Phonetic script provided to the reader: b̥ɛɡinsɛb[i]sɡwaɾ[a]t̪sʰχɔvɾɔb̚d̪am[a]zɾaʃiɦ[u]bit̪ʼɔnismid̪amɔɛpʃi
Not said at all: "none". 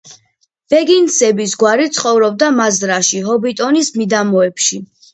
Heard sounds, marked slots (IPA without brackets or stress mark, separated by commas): i, i, a, ɔ